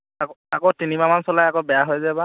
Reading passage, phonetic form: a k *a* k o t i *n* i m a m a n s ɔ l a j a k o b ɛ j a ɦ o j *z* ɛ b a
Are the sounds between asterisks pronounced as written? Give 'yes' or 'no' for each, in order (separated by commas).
yes, yes, yes